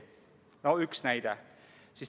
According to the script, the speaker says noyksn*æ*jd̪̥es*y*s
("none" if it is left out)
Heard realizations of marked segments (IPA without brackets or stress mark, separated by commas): æ, i